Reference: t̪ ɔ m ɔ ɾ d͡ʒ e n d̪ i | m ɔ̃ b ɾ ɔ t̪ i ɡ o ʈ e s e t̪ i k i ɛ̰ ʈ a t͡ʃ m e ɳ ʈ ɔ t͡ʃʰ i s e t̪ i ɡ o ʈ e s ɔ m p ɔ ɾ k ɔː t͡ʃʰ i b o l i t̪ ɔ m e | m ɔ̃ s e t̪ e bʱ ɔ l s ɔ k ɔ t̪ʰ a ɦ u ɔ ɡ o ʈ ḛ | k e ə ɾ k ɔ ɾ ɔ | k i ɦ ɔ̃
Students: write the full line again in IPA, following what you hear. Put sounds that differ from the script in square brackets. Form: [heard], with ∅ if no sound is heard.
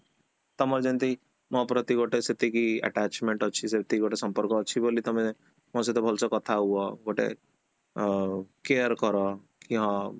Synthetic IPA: t̪ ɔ m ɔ ɾ d͡ʒ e n [t̪] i | m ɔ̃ [p] ɾ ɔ t̪ i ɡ o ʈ e s e t̪ i k i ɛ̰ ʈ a t͡ʃ m e ɳ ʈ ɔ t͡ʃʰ i s e t̪ i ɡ o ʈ e s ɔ m p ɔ ɾ k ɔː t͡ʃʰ i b o l i t̪ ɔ m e | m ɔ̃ s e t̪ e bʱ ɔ l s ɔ k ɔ t̪ʰ a ɦ u ɔ ɡ o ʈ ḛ | k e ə ɾ k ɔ ɾ ɔ | k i ɦ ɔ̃